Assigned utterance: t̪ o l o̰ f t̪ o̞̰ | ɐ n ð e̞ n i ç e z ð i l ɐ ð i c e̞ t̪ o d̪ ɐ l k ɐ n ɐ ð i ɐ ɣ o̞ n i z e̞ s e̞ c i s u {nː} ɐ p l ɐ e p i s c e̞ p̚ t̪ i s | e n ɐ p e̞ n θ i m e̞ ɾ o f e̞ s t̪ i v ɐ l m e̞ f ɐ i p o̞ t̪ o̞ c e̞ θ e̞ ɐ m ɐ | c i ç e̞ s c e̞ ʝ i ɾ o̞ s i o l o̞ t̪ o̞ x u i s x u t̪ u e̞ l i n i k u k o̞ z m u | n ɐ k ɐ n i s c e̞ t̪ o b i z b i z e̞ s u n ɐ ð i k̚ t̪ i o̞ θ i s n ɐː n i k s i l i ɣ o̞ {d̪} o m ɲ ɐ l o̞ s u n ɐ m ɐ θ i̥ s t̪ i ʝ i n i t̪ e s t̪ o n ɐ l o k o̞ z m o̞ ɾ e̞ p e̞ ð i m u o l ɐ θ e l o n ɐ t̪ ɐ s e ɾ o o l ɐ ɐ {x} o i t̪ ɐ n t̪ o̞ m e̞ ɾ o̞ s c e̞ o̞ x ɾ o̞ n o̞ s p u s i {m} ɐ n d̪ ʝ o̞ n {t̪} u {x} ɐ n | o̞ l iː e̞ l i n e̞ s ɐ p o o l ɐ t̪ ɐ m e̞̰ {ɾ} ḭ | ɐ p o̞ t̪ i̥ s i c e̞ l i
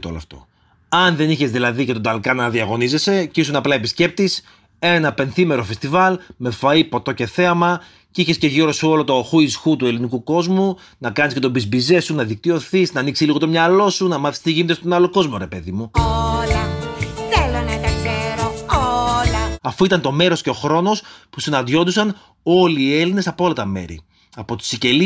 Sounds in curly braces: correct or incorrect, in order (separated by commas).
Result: incorrect, incorrect, incorrect, incorrect, incorrect, incorrect, correct